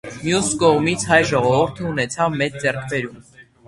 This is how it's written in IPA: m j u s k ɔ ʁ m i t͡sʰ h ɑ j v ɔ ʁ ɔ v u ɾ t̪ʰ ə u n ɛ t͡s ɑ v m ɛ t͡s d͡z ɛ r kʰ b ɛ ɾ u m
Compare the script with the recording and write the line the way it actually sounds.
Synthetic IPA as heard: m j u s k ɔ ʁ m i t͡sʰ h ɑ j ʒ ɔ ʁ ɔ v u ɾ t̪ʰ ə u n ɛ t͡sʰ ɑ v m ɛ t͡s d͡z ɛ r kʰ b ɛ ɾ u m

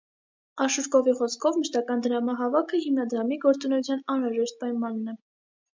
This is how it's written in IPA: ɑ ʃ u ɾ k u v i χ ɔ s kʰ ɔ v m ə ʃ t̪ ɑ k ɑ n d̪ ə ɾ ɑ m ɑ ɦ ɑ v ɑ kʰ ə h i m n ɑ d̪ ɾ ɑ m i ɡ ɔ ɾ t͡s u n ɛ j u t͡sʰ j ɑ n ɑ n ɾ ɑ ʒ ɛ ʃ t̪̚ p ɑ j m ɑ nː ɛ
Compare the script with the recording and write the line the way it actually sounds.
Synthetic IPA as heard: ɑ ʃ u ɾ k ɔ v i χ ɔ s kʰ ɔ v m ə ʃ t̪ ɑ k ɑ n d̪ ə ɾ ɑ m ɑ ɦ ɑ v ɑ kʰ ə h i m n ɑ d̪ ɾ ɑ m i ɡ ɔ ɾ t͡s u n ɛ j u t͡sʰ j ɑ n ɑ n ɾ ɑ ʒ ɛ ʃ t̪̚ p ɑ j m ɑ nː ɛ

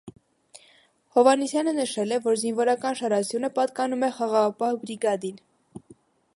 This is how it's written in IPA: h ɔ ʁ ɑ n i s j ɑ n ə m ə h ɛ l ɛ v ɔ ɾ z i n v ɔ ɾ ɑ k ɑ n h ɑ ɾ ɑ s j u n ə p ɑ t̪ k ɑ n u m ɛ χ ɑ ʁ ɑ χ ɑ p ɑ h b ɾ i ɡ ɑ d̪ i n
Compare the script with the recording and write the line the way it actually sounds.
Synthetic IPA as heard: h ɔ v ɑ n i s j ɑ n ə n ə ʃ ɛ l ɛ v ɔ ɾ z i n v ɔ ɾ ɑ k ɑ n ʃ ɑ ɾ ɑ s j u n ə p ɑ t̪ k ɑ n u m ɛ χ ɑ ʁ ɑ ʁ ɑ p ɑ h b ɾ i ɡ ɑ d̪ i n

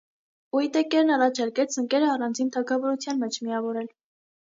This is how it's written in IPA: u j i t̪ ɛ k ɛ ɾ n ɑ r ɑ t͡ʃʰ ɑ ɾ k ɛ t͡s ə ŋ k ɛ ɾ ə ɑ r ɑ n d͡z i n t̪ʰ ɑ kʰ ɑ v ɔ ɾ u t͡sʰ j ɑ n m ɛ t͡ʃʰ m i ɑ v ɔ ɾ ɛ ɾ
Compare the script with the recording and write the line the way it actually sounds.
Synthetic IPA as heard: u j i t̪ ɛ k ɛ ɾ n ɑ r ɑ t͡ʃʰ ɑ ɾ k ɛ t͡sʰ ə ŋ k ɛ ɾ ə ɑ r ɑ n d͡z i n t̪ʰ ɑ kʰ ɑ v ɔ ɾ u t͡sʰ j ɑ n m ɛ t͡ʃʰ m i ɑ v ɔ ɾ ɛ l

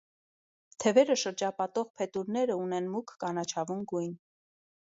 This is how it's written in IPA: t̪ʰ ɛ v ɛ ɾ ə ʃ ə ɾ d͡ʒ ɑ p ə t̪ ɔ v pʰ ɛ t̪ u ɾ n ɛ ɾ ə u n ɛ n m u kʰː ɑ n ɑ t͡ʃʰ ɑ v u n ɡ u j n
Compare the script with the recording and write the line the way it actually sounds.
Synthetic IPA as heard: t̪ʰ ɛ v ɛ ɾ ə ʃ ə ɾ d͡ʒ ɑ p ɑ t̪ ɔ ʁ pʰ ɛ t̪ u ɾ n ɛ ɾ ə u n ɛ n m u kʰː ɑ n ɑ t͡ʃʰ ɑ v u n ɡ u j n

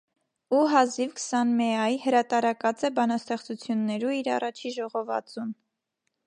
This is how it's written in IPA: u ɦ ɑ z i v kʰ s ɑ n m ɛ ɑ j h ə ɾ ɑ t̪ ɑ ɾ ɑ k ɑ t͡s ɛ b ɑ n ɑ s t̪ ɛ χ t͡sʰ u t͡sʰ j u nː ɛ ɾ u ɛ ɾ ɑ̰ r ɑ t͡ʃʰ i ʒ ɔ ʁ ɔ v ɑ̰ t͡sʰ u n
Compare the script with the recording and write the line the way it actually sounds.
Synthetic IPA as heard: u ɦ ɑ z i v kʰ s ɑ n m ɛ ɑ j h ə ɾ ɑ t̪ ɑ ɾ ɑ k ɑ t͡s ɛ b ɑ n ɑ s t̪ ɛ χ t͡s u t͡sʰ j u nː ɛ ɾ u i ɾ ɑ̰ r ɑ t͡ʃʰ i ʒ ɔ ʁ ɔ v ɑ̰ t͡s u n

